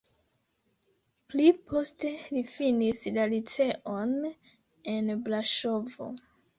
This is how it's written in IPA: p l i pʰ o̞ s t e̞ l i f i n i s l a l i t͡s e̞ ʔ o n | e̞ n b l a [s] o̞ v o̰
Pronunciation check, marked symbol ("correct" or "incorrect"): incorrect